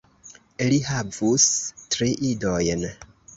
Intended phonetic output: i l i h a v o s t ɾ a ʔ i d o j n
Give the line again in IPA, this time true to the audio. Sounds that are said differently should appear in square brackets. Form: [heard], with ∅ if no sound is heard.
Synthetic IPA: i l i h a v [u] s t ɾ [i] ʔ i d o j n